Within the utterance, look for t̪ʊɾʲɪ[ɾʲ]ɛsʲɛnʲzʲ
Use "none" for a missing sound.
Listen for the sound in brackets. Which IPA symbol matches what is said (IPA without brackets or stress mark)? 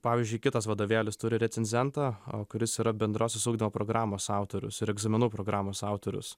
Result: ɾʲ